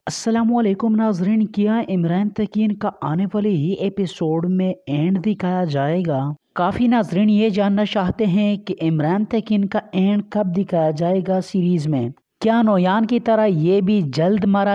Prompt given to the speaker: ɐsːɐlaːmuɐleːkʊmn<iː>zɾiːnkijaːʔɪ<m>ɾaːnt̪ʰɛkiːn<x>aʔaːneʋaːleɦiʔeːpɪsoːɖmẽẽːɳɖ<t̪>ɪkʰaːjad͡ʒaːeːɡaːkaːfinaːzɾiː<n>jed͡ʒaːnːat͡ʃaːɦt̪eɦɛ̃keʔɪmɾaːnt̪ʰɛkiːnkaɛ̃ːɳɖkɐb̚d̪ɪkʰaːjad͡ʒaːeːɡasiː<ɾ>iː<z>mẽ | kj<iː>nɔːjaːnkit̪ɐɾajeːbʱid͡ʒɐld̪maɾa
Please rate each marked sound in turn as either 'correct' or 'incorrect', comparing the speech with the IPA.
incorrect: aː, correct, incorrect: k, incorrect: d̪, correct, correct, correct, incorrect: aː

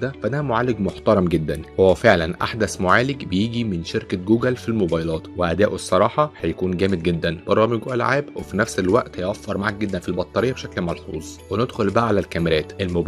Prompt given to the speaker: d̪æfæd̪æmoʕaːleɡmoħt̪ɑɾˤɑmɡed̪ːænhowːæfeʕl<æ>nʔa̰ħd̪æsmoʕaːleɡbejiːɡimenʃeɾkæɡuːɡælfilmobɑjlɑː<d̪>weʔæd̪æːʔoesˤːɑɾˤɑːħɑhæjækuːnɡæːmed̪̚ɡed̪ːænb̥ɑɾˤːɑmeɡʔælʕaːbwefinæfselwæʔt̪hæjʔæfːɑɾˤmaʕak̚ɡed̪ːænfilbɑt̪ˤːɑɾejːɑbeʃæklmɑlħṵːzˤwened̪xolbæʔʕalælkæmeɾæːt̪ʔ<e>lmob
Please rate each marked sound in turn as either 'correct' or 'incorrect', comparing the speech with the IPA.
correct, incorrect: t̪, correct

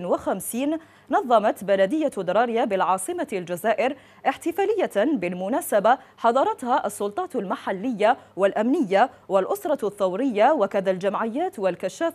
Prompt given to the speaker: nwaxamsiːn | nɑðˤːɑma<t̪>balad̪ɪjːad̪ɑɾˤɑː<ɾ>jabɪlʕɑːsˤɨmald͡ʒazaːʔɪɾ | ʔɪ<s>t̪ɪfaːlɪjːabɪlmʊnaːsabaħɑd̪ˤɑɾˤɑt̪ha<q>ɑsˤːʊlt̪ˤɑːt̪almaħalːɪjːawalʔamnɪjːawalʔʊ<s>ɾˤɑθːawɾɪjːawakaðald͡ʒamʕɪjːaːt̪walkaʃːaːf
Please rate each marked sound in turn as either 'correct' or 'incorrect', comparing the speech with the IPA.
correct, correct, incorrect: ħ, incorrect: ʔ, correct

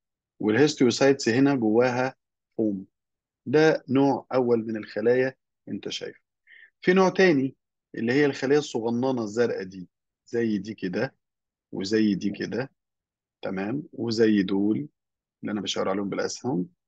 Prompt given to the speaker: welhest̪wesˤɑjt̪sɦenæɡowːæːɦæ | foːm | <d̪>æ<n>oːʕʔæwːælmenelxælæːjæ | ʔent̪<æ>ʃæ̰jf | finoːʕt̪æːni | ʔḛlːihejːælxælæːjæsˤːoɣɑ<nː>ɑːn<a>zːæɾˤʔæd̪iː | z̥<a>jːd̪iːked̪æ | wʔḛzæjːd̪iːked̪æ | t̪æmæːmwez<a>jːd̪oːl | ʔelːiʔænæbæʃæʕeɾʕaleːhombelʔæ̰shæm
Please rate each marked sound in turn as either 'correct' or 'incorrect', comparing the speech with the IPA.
correct, correct, correct, correct, incorrect: ɑ, incorrect: æ, incorrect: æ

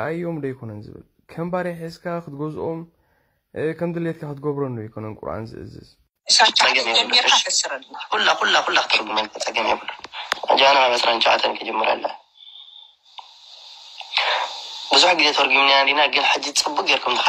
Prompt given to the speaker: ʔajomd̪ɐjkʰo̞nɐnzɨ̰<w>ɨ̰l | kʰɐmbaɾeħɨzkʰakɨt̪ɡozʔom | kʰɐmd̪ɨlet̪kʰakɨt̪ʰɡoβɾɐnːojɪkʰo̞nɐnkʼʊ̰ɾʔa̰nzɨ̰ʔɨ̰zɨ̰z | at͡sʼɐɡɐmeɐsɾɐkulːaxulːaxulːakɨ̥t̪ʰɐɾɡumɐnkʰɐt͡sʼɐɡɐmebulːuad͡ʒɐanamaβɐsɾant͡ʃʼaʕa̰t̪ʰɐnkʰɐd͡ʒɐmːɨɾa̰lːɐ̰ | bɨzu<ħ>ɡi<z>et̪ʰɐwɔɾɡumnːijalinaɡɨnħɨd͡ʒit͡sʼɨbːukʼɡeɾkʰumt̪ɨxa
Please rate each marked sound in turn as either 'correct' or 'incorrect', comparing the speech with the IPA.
incorrect: β, correct, correct

